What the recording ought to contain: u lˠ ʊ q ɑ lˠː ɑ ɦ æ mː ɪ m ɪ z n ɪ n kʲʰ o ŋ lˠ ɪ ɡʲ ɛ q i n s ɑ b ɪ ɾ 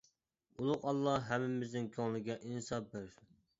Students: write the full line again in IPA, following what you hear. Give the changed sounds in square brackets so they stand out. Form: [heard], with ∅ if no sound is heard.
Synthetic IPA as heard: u lˠ ʊ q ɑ lˠː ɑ ɦ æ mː ɪ m ɪ z n ɪ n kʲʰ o ŋ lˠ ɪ ɡʲ ɛ [ʔ] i n s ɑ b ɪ ɾ